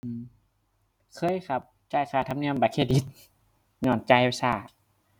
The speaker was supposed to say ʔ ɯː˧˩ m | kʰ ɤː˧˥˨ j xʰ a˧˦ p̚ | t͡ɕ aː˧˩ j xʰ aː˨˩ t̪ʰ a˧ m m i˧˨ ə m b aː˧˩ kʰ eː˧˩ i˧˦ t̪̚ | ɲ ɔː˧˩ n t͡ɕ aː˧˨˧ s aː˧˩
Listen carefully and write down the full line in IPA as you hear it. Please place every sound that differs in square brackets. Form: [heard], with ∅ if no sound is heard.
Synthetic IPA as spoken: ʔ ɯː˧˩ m | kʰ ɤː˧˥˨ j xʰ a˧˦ p̚ | t͡ɕ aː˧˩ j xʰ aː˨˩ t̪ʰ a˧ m [n] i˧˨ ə m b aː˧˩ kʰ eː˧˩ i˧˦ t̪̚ | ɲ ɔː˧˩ n t͡ɕ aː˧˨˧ s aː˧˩